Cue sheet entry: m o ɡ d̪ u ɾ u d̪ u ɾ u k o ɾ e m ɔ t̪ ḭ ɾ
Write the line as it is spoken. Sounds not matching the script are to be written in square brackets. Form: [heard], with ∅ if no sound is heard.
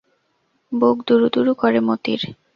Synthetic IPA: [b] o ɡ d̪ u ɾ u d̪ u ɾ u k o ɾ e m [o] t̪ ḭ ɾ

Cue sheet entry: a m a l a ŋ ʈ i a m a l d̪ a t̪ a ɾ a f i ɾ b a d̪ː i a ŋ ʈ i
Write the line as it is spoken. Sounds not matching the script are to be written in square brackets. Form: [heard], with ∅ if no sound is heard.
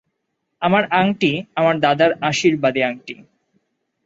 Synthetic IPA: a m a [ɾ] a ŋ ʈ i a m a [ɾ] d̪ a [d̪] a ɾ a [ʃ] i ɾ b a [d̪] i a ŋ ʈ i

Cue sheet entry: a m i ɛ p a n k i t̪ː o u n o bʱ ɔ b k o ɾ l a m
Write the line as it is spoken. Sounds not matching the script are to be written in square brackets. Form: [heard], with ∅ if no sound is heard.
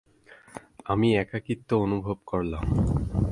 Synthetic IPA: a m i ɛ [k] a [∅] k i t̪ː o [o] n [u] bʱ [o] b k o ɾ l a m

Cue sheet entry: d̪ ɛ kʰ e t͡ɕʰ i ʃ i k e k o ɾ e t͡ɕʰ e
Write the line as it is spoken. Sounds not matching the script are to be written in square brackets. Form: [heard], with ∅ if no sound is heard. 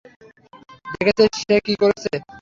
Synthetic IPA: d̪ [e] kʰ e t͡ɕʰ [e] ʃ [e] k [i] k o ɾ e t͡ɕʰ e

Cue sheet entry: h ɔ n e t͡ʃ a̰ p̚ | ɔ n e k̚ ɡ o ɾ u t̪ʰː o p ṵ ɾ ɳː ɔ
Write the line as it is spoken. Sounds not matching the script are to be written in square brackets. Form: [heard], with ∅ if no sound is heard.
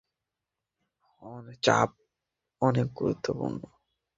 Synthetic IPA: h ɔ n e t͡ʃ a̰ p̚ | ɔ n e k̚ ɡ [u] ɾ u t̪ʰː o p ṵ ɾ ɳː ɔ

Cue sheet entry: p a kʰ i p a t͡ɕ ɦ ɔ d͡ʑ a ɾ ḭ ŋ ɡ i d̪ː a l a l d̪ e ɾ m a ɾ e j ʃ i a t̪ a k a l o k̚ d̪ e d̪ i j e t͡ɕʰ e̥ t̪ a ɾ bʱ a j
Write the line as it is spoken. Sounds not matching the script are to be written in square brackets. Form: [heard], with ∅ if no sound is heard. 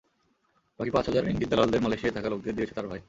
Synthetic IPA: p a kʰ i p a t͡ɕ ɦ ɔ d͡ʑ a ɾ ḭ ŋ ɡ i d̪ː a l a l d̪ e ɾ m a [l] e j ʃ i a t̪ a k a l o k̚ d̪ e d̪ i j e t͡ɕʰ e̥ t̪ a ɾ bʱ a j

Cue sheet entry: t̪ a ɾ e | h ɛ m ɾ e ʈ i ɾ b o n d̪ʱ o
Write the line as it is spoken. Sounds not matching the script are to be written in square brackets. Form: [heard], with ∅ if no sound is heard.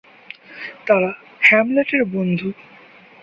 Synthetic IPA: t̪ a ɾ [a] | h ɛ m [l] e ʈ [e] ɾ b o n d̪ʱ [u]

